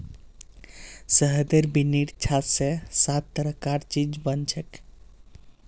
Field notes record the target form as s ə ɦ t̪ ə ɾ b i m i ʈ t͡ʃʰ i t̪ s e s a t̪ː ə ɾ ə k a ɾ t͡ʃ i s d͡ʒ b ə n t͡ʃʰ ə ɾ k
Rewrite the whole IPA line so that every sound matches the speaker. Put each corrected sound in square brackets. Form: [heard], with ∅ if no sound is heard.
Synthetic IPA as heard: s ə ɦ [d̪] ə ɾ b i [n] i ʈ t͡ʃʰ [a] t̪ s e s a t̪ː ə ɾ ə k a ɾ t͡ʃ i [∅] d͡ʒ b ə n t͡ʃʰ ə [∅] k